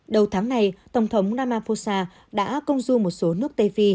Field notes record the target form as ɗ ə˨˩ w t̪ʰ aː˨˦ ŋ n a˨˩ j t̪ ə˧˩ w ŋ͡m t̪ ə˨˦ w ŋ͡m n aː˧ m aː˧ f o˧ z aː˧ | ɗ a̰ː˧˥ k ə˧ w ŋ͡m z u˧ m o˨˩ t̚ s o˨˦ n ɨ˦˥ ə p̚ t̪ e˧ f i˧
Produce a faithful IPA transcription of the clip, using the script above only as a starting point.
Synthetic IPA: ɗ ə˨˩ w t̪ʰ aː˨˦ ŋ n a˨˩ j t̪ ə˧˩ w ŋ͡m t̪ʰ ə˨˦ w ŋ͡m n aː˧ m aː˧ f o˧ s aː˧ | ɗ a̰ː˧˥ k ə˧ w ŋ͡m z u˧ m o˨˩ t̚ s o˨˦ n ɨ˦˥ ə k̚ t̪ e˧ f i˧